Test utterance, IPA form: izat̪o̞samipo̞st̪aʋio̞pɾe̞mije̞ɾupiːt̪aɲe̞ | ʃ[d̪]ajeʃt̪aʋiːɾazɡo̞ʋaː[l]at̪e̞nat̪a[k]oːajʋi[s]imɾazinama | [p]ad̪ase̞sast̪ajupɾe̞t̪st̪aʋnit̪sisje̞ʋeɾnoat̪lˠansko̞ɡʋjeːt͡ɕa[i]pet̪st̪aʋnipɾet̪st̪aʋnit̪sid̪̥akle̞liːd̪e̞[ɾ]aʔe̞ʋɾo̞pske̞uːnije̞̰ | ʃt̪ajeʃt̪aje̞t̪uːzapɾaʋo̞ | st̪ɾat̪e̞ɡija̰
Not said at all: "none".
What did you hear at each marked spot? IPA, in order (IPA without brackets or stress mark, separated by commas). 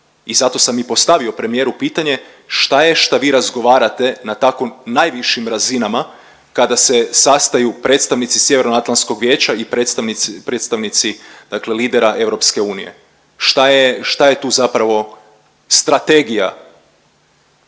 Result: t̪, ɾ, k, ʃ, k, i, ɾ